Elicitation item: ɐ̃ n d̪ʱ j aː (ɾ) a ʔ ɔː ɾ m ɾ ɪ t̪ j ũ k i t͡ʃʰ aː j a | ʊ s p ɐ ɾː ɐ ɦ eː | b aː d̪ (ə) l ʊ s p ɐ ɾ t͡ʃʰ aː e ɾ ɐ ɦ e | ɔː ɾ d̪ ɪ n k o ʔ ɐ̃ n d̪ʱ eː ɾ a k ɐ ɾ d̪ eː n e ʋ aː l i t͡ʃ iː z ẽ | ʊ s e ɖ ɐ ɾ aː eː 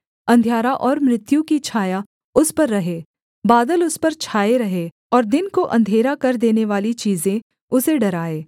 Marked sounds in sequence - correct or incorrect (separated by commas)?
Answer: correct, correct